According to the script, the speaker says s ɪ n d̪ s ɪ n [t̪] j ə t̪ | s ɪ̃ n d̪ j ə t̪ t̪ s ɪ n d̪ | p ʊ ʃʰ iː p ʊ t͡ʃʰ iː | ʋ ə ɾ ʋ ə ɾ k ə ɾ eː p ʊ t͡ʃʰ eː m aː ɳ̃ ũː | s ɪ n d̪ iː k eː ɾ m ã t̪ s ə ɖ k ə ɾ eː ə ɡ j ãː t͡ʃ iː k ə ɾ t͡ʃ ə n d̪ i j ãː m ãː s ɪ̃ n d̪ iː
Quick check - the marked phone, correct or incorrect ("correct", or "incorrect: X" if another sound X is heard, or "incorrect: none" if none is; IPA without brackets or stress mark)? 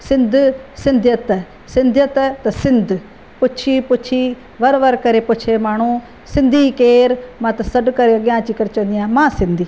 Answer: incorrect: d̪